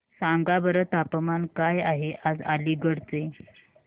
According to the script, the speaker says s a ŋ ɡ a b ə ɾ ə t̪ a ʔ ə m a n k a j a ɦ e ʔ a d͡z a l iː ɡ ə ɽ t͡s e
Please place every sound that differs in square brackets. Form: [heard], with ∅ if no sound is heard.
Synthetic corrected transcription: s a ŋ ɡ a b ə ɾ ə t̪ a [p] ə m a n k a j a ɦ e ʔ a d͡z a l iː ɡ ə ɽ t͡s e